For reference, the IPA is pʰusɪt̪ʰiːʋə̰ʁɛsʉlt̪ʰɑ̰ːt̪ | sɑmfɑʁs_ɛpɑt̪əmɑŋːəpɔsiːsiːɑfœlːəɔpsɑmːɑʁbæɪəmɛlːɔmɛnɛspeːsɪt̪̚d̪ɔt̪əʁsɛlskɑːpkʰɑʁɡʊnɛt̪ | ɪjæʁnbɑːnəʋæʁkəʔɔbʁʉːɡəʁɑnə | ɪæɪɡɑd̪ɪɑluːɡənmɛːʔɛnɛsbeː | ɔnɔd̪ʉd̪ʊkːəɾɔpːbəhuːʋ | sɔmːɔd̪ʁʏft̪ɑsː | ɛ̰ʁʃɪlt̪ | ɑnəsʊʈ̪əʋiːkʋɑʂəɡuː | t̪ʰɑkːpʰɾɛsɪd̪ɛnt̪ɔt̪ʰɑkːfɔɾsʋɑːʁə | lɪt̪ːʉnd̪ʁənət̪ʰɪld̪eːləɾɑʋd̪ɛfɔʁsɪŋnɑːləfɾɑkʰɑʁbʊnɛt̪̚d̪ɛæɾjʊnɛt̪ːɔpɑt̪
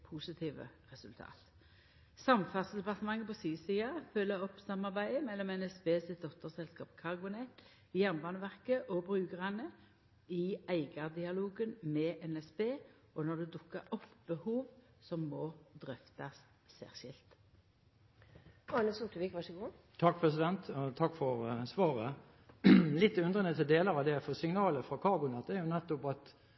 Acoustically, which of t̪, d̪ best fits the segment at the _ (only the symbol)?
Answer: d̪